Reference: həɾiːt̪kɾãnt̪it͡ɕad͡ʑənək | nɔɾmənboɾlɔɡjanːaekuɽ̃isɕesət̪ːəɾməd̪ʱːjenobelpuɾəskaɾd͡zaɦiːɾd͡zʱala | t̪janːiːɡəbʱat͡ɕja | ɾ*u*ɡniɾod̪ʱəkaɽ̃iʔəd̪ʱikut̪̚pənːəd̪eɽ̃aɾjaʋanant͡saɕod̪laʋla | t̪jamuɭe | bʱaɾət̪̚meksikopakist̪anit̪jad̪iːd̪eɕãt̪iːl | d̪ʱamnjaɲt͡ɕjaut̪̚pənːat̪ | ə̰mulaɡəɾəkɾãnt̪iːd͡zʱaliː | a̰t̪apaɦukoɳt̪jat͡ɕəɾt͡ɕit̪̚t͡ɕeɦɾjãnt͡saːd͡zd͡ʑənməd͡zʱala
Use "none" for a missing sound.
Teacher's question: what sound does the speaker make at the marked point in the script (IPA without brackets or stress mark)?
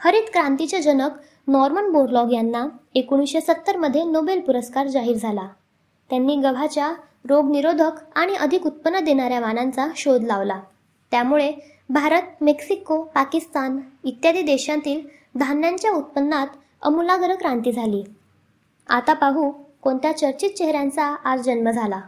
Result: o